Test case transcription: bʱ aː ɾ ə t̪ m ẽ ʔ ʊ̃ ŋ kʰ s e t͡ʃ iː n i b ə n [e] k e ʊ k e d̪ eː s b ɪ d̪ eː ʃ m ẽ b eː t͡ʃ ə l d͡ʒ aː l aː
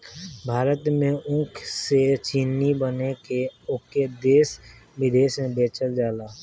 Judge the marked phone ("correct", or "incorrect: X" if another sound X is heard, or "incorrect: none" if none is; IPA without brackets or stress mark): correct